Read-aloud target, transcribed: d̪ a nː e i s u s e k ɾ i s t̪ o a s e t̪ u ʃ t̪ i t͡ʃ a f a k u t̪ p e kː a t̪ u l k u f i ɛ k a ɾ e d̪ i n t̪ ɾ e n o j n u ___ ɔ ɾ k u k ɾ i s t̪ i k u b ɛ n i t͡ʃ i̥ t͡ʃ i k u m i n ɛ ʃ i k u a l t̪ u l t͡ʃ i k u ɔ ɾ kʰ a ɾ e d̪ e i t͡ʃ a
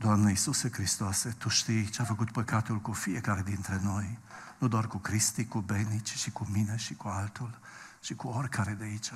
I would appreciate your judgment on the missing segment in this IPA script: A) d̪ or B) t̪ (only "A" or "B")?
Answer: A